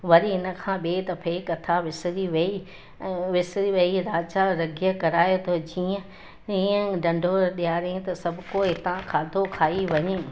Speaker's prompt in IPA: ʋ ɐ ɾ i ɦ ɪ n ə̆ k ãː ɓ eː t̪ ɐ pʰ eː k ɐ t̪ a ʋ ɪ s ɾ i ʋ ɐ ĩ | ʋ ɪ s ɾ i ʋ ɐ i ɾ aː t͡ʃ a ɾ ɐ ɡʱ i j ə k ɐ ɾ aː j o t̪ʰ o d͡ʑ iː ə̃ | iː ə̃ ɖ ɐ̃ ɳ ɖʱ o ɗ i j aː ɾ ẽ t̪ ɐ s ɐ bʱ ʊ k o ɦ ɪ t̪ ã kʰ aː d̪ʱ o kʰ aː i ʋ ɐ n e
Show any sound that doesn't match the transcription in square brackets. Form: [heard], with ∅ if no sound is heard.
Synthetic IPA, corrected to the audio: ʋ ɐ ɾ i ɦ ɪ n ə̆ [kʰ] ãː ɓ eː t̪ ɐ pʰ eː k ɐ [t̪ʰ] a ʋ ɪ s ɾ i ʋ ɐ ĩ | ʋ ɪ s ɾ i ʋ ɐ i ɾ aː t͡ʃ a ɾ ɐ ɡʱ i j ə k ɐ ɾ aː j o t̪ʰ o d͡ʑ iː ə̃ | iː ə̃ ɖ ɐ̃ ɳ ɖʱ o ɗ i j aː ɾ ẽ t̪ ɐ s ɐ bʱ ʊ k o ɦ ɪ t̪ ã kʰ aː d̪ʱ o kʰ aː i ʋ ɐ [ɲ] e